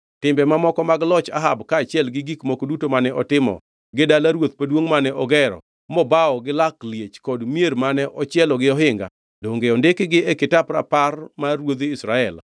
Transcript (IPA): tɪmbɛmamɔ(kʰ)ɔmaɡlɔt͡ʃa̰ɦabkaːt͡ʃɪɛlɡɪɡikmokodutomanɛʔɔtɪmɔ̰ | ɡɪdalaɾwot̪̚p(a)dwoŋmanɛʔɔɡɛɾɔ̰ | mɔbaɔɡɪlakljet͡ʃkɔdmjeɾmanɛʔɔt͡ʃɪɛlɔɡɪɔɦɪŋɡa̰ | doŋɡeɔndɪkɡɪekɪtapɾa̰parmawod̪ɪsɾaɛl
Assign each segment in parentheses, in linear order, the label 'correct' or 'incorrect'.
incorrect: k, correct

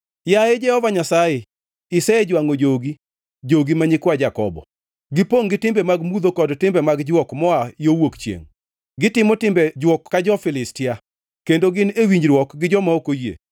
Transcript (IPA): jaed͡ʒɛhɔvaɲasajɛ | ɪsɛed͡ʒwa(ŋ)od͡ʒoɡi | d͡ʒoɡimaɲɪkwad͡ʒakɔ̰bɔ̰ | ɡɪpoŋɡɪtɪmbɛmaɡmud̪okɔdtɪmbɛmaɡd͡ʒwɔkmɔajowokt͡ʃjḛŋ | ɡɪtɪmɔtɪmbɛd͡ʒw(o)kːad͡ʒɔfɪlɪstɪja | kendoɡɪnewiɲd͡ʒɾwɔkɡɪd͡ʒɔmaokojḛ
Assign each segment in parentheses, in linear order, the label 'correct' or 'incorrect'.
correct, incorrect: ɔ

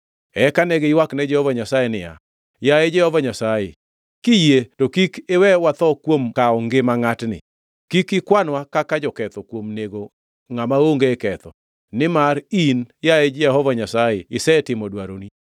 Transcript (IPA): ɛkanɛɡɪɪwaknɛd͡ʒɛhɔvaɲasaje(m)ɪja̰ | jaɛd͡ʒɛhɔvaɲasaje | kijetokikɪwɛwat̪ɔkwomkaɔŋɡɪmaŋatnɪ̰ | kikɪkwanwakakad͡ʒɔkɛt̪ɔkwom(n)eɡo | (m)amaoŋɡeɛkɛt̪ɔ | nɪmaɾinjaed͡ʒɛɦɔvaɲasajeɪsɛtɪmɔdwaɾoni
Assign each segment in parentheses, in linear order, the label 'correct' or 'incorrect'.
incorrect: n, correct, incorrect: ŋ

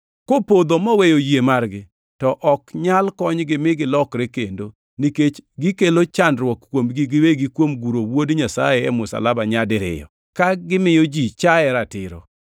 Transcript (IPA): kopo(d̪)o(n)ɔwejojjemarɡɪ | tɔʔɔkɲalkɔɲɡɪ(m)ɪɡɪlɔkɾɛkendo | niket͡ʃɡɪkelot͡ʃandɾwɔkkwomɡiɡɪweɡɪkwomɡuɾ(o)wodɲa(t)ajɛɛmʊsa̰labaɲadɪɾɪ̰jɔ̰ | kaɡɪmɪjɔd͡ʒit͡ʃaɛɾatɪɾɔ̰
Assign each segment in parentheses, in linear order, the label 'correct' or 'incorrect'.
correct, incorrect: m, correct, correct, incorrect: s

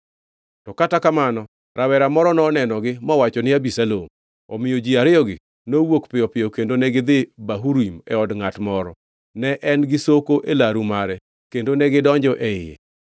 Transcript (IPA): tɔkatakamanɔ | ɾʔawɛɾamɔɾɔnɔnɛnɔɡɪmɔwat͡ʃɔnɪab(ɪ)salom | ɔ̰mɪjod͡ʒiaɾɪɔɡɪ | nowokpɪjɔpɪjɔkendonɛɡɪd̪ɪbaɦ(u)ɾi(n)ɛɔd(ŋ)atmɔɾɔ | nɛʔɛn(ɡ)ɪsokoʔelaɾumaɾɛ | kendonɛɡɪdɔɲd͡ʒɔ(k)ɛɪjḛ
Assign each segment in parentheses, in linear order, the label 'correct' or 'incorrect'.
incorrect: i, correct, incorrect: m, correct, correct, incorrect: ʔ

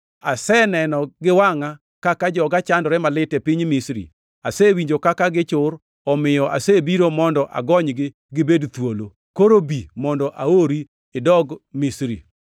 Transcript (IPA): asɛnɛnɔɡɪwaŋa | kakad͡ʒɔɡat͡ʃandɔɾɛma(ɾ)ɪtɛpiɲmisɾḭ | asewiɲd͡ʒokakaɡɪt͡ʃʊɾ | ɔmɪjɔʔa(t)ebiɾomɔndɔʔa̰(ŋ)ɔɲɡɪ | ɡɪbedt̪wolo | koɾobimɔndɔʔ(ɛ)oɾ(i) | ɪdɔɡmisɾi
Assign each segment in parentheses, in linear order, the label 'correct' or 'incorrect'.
incorrect: l, incorrect: s, incorrect: ɡ, incorrect: a, correct

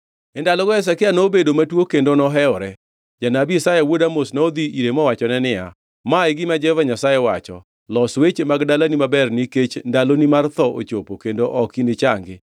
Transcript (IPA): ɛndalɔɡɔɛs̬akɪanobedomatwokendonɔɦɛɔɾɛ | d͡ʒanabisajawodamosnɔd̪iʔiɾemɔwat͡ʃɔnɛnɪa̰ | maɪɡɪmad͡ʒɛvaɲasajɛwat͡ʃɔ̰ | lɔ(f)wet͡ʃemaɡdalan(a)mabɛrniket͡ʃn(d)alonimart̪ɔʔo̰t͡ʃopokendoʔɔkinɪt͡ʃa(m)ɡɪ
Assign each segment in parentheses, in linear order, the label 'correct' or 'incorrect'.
incorrect: s, incorrect: i, correct, incorrect: ŋ

